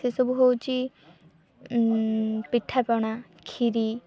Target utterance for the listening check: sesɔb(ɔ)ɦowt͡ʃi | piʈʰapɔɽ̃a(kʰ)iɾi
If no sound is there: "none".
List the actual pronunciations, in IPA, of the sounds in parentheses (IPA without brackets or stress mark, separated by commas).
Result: u, kʰ